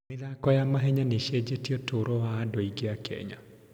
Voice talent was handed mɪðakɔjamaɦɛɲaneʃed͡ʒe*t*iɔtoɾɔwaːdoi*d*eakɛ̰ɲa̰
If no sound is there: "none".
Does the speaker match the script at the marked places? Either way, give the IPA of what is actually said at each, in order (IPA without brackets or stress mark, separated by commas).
t, ɡ